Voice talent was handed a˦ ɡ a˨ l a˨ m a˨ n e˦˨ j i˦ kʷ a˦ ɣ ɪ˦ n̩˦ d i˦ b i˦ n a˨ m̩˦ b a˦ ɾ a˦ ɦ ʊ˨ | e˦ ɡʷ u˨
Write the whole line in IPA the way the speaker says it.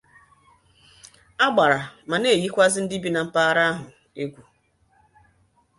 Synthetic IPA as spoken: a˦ ɡ͡b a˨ ɾ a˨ m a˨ n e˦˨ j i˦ kʷ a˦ z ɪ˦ n̩˦ d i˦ b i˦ n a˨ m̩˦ p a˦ ɾ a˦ ɦ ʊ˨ | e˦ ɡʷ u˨